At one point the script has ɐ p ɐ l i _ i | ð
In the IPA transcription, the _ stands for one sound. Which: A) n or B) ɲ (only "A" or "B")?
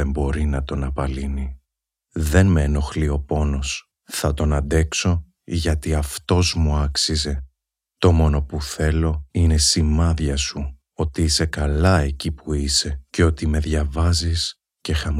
A